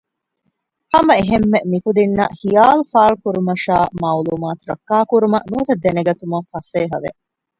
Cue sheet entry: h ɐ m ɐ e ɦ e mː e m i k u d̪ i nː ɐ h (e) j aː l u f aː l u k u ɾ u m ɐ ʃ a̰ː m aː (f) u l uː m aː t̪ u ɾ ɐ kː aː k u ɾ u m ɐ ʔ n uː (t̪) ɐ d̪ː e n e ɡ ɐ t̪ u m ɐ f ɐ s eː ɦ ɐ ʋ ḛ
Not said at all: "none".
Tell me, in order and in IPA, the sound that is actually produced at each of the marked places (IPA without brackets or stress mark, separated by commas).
i, none, t̪